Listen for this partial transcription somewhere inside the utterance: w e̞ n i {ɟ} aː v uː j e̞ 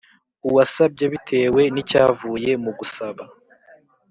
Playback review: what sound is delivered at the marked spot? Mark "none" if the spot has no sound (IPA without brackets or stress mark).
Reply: c